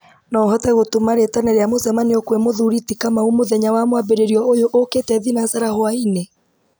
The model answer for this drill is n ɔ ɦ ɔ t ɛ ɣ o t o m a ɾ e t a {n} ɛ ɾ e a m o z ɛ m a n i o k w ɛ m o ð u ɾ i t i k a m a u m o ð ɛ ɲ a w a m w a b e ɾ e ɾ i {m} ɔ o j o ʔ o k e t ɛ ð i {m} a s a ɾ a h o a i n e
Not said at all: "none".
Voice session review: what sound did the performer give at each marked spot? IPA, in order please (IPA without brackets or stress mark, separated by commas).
n, none, n